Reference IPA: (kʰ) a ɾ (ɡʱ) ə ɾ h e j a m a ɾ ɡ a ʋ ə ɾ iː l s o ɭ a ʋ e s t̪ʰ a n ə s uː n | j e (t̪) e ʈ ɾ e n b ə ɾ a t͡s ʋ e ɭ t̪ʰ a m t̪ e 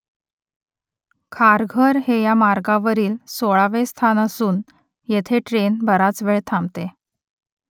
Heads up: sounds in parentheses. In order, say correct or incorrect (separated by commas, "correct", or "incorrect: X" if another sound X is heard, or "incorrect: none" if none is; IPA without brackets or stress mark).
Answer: correct, correct, incorrect: t̪ʰ